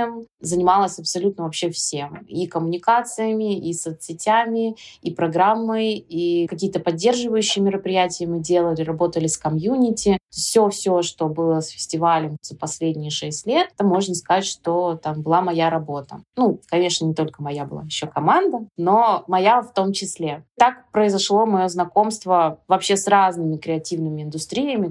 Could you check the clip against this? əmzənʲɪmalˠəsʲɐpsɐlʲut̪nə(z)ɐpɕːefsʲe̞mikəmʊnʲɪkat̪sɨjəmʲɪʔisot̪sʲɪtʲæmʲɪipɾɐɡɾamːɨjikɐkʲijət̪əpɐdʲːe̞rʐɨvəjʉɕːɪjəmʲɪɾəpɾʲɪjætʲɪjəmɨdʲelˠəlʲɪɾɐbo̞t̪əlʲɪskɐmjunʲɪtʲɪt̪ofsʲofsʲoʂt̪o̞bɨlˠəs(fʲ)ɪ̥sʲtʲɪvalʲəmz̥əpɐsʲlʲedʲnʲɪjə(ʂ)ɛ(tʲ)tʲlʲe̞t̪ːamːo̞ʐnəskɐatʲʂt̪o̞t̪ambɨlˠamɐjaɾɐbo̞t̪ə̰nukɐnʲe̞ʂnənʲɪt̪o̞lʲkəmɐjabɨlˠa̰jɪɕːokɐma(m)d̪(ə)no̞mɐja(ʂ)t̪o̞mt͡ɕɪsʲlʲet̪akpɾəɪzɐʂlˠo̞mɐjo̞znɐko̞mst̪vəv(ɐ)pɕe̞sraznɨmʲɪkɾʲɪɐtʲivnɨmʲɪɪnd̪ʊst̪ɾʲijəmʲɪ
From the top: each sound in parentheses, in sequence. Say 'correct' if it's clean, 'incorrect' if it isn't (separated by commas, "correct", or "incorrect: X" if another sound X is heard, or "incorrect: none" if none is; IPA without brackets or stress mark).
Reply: incorrect: v, correct, correct, incorrect: sʲ, incorrect: n, correct, incorrect: f, correct